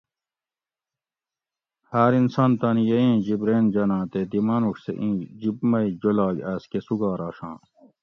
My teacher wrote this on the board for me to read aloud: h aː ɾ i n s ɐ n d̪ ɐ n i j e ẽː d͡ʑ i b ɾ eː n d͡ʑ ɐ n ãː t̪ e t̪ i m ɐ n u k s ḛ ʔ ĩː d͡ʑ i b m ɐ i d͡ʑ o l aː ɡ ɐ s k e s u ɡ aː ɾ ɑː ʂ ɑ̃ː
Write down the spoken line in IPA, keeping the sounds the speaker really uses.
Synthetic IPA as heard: h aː ɾ i n s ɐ n t̪ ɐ n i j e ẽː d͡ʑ i b ɾ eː n d͡ʑ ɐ n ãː t̪ e d̪ i m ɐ n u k s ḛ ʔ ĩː d͡ʑ i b m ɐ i d͡ʑ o l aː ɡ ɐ s k e s u ɡ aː ɾ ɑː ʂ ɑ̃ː